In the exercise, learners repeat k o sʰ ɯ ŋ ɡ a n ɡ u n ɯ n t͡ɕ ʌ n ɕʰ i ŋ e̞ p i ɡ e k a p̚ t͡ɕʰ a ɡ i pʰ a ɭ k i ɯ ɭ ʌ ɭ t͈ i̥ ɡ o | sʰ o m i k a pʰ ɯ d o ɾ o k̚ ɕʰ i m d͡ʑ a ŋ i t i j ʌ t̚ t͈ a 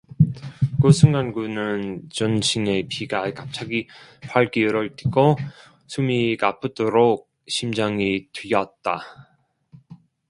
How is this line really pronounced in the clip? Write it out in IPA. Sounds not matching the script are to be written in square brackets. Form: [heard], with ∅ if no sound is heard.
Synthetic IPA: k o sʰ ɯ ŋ ɡ a n ɡ u n ɯ n t͡ɕ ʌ n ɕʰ i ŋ e̞ p i ɡ [a] k a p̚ t͡ɕʰ a ɡ i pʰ a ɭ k i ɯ [ɾ] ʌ ɭ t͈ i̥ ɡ o | sʰ [u] m i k a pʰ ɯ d o ɾ o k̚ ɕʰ i m d͡ʑ a ŋ i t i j ʌ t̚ t͈ a